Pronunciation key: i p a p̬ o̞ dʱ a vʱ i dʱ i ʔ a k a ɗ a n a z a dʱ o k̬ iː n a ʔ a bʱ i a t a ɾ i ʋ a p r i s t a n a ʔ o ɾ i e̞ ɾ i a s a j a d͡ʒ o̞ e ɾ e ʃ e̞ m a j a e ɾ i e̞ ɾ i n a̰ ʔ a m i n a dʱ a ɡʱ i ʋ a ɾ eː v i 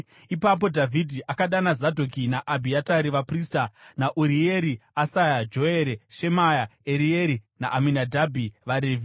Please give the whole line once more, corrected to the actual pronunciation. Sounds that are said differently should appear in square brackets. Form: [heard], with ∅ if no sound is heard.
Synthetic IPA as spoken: i p a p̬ o̞ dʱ a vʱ i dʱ i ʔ a k a ɗ a n a z a dʱ o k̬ [i] n a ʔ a bʱ i a t a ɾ i ʋ a p r i s t a n a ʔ [u] ɾ i e̞ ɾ i a s a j a d͡ʒ o̞ e ɾ e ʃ e̞ m a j a e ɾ i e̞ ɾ i n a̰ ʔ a m i n a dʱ a [bʱ] i ʋ a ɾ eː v i